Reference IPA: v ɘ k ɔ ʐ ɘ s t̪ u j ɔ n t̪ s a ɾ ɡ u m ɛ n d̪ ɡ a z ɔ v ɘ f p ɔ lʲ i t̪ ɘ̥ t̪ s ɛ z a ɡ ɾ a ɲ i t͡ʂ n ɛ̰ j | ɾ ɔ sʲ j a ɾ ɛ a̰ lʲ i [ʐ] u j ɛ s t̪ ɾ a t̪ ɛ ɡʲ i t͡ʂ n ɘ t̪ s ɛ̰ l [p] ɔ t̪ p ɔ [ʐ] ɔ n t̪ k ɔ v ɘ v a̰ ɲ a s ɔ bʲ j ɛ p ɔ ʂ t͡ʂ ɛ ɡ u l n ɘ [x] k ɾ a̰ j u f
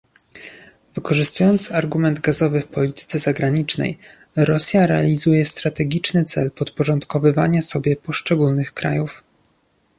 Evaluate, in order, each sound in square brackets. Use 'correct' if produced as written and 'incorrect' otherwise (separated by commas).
incorrect, correct, correct, correct